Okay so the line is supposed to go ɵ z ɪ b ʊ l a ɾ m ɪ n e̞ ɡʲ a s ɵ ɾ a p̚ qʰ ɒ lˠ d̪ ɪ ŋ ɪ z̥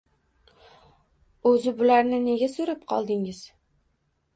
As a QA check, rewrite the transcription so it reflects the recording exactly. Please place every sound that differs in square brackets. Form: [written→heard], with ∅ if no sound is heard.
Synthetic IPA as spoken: ɵ z ɪ b ʊ l a ɾ [m→n] ɪ n e̞ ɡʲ a s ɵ ɾ a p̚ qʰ ɒ lˠ d̪ ɪ ŋ ɪ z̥